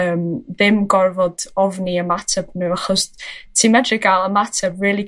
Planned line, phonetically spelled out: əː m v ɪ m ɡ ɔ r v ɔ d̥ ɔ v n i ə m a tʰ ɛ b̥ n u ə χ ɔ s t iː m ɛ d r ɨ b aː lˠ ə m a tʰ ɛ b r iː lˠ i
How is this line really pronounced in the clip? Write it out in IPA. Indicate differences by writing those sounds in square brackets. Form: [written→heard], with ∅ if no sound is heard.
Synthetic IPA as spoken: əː m [v→ð] ɪ m ɡ ɔ r v ɔ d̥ ɔ v n i ə m a tʰ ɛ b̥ n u [ə→a] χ ɔ s [t→tʰ] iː m ɛ d r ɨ [b→ɡ] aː lˠ ə m a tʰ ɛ b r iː lˠ i